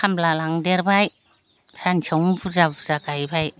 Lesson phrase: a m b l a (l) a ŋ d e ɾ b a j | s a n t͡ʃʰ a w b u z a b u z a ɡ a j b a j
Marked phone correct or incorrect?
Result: correct